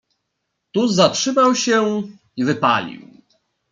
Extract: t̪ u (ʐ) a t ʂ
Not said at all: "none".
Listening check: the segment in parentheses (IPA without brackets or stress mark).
z